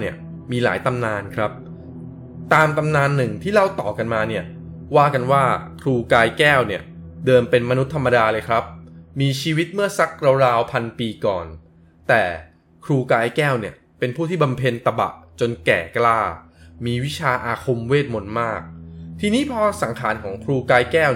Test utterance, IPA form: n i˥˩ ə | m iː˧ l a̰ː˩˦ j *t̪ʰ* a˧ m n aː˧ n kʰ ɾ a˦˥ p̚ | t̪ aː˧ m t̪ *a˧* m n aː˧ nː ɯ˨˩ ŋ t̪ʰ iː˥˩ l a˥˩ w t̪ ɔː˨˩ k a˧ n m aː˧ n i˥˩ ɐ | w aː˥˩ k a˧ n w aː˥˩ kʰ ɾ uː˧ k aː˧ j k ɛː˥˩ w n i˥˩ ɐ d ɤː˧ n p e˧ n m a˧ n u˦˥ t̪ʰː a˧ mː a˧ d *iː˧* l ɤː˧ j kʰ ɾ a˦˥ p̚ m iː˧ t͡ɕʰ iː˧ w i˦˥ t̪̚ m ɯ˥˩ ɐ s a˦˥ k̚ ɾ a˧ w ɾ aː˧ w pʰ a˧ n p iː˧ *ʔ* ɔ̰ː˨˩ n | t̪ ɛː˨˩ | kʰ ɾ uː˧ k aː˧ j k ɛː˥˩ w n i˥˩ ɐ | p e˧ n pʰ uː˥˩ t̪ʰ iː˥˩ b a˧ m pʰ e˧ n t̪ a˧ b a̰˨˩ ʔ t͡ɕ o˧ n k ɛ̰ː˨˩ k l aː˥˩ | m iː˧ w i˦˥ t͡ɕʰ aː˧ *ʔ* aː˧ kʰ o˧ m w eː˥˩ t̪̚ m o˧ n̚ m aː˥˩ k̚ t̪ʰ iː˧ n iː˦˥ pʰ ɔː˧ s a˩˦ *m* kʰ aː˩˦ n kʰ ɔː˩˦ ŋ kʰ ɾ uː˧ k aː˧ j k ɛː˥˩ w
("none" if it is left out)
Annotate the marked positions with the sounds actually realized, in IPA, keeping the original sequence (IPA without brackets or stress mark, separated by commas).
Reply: t̪, a˧, aː˧, k, ʔ, ŋ